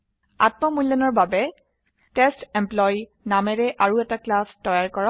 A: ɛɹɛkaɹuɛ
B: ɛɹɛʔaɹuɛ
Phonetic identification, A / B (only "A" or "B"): B